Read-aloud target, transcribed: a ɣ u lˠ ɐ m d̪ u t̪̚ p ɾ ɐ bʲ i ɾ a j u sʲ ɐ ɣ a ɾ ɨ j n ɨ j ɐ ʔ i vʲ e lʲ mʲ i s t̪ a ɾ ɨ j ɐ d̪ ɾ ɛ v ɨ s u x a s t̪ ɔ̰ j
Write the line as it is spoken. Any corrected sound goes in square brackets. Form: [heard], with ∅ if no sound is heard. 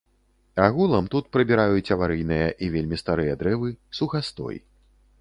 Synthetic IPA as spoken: a ɣ u lˠ ɐ m [t̪] u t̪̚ p ɾ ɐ bʲ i ɾ a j u [t͡sʲ] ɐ [v] a ɾ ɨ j n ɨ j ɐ ʔ i vʲ e lʲ mʲ i s t̪ a ɾ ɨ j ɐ d̪ ɾ ɛ v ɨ s u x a s t̪ ɔ̰ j